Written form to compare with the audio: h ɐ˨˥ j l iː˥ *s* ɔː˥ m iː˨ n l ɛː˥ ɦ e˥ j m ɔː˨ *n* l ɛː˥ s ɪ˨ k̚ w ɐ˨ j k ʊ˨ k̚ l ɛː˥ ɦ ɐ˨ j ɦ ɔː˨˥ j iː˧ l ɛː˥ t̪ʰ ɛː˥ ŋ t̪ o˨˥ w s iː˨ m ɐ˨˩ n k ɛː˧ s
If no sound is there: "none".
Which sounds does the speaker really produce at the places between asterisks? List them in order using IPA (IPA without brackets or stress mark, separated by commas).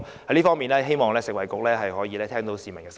f, ŋ